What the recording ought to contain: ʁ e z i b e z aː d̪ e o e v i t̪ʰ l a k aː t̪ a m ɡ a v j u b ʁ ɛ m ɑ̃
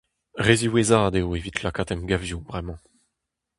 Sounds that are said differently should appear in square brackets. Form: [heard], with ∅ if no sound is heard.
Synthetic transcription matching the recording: ʁ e z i [w] e z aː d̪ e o e v i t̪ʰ l a k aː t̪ [ɛ] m ɡ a v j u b ʁ ɛ m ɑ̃